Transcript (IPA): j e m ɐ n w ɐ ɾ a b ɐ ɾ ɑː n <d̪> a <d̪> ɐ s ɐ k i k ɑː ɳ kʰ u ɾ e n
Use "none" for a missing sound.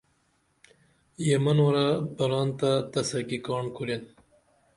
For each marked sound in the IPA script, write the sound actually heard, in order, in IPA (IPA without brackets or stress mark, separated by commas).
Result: t̪, t̪